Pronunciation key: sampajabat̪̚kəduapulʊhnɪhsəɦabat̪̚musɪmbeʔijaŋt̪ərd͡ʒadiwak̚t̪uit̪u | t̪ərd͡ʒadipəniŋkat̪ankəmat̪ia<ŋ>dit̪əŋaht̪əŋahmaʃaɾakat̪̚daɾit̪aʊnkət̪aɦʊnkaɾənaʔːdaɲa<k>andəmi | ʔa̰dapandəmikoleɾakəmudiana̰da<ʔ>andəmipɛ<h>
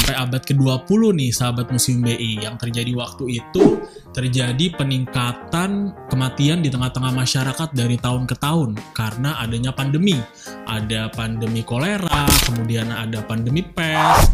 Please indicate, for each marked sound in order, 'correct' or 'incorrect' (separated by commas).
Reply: incorrect, incorrect, incorrect, incorrect